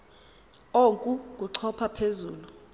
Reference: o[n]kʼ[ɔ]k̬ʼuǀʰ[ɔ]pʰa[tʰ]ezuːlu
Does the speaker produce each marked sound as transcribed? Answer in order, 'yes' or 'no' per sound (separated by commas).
no, no, yes, no